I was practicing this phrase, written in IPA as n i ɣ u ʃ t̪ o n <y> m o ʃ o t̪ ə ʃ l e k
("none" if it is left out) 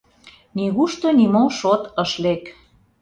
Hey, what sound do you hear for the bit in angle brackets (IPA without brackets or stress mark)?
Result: i